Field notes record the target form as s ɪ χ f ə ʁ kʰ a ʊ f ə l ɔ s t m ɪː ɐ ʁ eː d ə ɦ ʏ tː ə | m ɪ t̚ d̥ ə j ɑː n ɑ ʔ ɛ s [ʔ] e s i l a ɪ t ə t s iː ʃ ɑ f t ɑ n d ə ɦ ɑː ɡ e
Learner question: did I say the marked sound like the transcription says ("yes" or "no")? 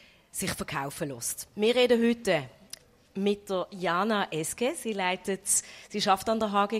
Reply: no